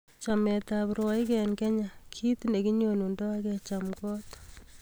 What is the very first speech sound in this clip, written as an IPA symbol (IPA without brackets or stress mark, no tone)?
t͡ʃ